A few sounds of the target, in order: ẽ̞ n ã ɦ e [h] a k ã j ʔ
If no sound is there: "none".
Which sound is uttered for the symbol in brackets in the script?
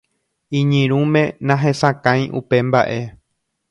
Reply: s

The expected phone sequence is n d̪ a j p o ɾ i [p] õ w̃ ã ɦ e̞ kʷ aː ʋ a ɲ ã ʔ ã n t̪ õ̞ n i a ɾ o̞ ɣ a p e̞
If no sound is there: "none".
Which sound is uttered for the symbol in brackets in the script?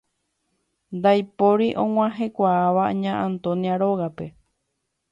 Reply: ʔ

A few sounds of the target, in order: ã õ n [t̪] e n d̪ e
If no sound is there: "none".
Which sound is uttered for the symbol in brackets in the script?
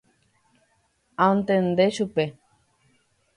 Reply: t̪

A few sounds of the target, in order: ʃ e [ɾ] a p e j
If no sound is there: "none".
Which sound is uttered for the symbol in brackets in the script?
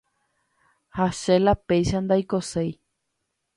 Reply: l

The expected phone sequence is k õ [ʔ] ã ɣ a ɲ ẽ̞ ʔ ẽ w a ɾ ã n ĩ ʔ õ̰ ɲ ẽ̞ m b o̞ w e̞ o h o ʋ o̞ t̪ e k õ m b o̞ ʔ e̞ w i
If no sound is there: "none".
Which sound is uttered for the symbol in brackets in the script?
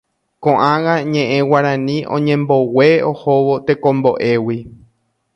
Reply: ʔ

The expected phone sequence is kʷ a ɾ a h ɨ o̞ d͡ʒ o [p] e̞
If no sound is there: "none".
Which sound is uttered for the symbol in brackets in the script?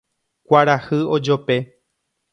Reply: p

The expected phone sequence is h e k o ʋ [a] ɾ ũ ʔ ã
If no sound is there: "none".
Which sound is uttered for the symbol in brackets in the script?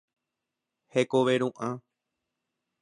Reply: e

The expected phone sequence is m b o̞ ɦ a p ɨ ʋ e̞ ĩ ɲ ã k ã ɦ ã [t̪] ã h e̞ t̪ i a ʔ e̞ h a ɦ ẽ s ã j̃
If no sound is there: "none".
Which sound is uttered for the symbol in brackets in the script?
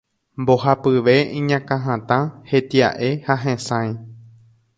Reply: t̪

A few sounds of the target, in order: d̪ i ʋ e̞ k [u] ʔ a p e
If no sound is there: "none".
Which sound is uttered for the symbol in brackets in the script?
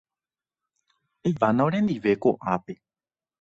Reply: o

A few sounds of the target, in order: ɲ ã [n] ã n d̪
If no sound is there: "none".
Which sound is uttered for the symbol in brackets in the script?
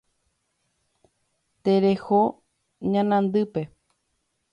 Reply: n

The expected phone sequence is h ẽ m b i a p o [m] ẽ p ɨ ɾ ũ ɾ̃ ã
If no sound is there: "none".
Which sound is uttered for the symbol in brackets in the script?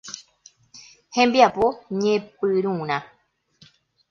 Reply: ɲ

